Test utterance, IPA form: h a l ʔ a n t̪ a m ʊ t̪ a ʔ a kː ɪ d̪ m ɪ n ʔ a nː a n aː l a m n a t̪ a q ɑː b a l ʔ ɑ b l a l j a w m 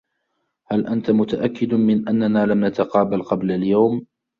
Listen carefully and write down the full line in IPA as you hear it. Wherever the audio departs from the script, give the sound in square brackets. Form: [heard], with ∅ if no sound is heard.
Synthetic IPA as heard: h a l ʔ a n t̪ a m ʊ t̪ a ʔ a kː ɪ d̪ m ɪ n ʔ a nː a n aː l a m n a t̪ a q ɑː b a l [q] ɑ b l a l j a w m

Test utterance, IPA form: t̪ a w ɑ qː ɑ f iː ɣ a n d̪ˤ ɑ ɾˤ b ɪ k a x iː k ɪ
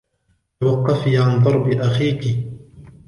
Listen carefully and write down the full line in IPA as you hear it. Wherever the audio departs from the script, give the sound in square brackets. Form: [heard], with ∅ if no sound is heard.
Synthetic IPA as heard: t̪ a w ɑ qː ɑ f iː [ʕ] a n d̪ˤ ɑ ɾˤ b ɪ [ʔ] a x iː k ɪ

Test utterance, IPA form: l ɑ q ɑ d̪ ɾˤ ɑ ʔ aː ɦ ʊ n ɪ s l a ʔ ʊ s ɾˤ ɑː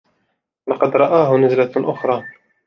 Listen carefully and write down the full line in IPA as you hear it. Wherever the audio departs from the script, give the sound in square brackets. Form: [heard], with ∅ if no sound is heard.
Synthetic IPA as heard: l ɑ q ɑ d̪ ɾˤ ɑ ʔ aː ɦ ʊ n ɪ [z] l a ʔ ʊ [x] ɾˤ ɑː

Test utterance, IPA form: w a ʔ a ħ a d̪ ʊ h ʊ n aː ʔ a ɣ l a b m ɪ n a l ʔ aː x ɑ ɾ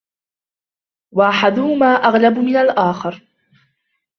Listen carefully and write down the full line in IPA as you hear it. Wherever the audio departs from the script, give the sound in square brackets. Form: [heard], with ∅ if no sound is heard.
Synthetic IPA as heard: w a ʔ a ħ a d̪ ʊ h ʊ [m] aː ʔ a ɣ l a b m ɪ n a l ʔ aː x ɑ ɾ

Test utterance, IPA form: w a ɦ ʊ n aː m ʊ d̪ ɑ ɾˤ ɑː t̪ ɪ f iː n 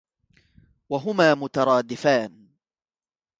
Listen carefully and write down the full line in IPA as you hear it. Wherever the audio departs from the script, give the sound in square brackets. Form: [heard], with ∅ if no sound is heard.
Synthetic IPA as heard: w a ɦ ʊ [m] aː m ʊ [t̪] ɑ ɾˤ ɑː [d̪] ɪ f [aː] n

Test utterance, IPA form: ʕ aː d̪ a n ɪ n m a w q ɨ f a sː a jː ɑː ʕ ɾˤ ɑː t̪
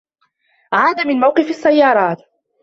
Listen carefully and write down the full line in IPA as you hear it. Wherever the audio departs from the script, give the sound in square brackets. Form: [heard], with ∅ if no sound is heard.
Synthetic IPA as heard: ʕ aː d̪ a [m] ɪ n m a w q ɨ f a sː a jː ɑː [∅] ɾˤ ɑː t̪

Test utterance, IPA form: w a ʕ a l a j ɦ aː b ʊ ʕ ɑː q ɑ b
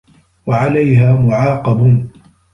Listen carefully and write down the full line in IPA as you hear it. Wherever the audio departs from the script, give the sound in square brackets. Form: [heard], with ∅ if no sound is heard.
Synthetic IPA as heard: w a ʕ a l a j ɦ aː [m] ʊ ʕ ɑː q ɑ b

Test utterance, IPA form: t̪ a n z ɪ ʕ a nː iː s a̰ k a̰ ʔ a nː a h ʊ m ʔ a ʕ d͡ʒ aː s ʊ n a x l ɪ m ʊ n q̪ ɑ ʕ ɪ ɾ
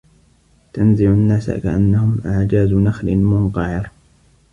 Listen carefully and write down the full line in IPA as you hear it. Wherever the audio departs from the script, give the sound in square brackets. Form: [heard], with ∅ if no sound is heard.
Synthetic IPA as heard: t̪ a n z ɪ ʕ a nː [aː] s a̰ k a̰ ʔ a nː a h ʊ m ʔ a ʕ d͡ʒ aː [z] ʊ n a x l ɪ m ʊ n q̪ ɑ ʕ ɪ ɾ

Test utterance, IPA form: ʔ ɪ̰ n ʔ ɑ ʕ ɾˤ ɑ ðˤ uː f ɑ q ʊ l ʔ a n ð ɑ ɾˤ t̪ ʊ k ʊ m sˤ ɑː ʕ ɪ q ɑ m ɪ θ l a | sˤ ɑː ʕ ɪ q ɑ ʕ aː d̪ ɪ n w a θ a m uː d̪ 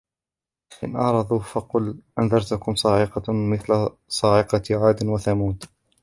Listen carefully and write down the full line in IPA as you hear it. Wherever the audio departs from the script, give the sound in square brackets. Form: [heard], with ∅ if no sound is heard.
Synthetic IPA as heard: ʔ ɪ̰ n ʔ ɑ ʕ ɾˤ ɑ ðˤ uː f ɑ q ʊ l ʔ a n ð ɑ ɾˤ t̪ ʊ k ʊ m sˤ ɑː ʕ ɪ q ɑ m ɪ θ l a | sˤ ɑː ʕ ɪ q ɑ ʕ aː d̪ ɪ n w a θ a m uː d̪

